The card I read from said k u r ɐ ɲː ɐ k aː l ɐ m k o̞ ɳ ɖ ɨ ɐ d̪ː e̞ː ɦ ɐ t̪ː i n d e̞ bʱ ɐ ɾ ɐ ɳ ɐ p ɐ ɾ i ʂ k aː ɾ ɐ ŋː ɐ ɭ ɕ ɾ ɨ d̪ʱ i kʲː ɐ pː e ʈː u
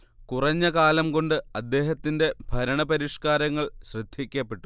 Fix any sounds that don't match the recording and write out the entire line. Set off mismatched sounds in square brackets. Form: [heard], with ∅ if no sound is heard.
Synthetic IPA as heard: k u r ɐ ɲː ɐ k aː l ɐ m k o̞ ɳ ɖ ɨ ɐ d̪ː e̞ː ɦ ɐ t̪ː i n d e̞ bʱ ɐ ɾ ɐ ɳ ɐ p ɐ ɾ i ʂ k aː ɾ ɐ ŋː ɐ ɭ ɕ [r] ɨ d̪ʱ i kʲː ɐ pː e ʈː u